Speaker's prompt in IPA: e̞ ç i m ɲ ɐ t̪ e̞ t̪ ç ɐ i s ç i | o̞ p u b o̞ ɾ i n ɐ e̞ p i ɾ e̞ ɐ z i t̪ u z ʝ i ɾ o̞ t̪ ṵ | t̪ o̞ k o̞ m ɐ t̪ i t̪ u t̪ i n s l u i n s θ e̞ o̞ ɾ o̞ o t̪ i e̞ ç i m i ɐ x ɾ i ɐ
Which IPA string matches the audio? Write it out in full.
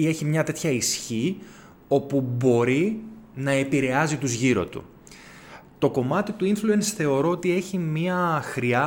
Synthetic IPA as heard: e̞ ç i m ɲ ɐ t̪ e̞ t̪ ç ɐ i s ç i | o̞ p u b o̞ ɾ i n ɐ e̞ p i ɾ e̞ ɐ z i t̪ u z ʝ i ɾ o̞ t̪ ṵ | t̪ o̞ k o̞ m ɐ t̪ i t̪ u i n f l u e n s θ e̞ o̞ ɾ o̞ o t̪ i e̞ ç i m i ɐ x ɾ i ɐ